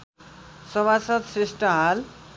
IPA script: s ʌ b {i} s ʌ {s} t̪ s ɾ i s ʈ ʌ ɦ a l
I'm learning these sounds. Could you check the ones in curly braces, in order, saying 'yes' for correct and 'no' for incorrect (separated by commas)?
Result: no, no